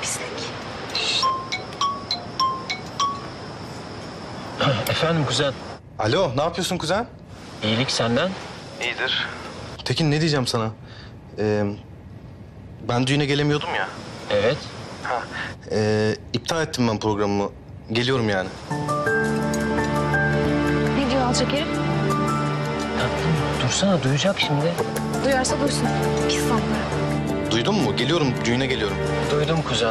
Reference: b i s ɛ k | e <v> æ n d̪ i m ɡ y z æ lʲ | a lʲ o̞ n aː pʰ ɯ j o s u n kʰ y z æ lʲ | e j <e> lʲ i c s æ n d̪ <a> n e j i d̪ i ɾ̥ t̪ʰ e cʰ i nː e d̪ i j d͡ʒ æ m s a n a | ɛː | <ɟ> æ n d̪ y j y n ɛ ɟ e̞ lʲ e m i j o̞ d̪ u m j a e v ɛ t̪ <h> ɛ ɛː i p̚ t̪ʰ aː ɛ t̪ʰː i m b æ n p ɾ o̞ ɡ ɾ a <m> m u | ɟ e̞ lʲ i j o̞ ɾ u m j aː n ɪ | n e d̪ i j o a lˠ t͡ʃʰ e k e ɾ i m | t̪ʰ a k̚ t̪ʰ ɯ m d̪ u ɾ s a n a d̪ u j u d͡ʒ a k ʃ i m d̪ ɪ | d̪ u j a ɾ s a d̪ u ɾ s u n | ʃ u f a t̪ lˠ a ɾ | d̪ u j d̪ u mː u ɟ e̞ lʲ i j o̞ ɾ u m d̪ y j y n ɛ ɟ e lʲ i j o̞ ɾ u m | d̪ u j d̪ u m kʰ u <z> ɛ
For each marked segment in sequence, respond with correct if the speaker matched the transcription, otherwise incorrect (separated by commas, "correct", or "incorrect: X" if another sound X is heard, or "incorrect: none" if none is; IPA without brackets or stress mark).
incorrect: f, incorrect: i, incorrect: æ, incorrect: b, correct, correct, correct